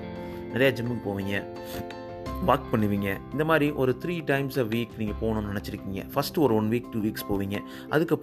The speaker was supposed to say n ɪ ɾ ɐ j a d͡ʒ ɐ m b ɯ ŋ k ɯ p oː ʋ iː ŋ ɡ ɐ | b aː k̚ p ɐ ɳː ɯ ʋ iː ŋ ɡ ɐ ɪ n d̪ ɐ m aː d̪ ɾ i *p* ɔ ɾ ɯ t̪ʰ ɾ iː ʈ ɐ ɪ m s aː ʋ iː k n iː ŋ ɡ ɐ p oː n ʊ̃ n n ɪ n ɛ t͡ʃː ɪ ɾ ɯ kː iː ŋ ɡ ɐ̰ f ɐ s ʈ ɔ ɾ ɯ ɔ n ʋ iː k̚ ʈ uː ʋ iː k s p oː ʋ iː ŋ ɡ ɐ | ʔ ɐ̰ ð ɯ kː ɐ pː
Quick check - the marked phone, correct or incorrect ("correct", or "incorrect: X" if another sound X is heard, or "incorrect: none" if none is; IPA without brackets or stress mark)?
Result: incorrect: ʔ